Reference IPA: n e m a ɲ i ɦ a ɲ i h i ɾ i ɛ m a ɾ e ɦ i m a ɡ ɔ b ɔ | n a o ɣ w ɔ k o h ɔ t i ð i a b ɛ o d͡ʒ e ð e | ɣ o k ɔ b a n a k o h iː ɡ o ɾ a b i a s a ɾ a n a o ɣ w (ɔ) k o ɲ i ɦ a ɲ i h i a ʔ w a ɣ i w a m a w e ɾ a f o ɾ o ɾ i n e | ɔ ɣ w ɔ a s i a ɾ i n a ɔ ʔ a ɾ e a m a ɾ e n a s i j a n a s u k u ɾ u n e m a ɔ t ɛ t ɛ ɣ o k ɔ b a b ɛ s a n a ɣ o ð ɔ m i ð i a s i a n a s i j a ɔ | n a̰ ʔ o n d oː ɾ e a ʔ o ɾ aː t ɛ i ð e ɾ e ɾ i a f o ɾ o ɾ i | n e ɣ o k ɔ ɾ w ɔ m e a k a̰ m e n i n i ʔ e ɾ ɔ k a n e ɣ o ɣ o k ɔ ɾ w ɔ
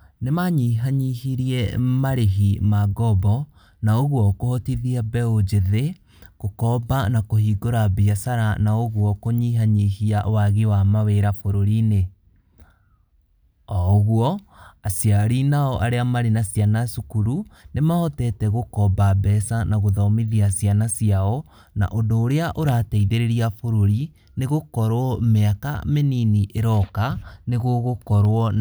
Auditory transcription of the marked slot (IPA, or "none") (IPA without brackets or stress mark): ɔ